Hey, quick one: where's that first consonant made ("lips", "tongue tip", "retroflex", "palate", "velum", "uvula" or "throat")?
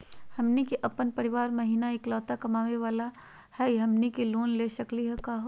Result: throat